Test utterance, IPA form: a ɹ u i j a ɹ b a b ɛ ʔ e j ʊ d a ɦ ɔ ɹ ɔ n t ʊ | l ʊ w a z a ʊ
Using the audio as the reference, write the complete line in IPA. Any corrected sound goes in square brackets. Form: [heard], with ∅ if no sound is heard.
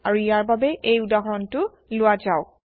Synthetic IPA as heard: a ɹ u i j a ɹ b a b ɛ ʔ e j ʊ d a ɦ ɔ ɹ ɔ n t ʊ | l ʊ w a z a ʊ